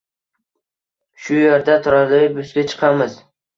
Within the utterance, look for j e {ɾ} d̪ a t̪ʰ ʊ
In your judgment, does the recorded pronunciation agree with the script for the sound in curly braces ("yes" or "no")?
yes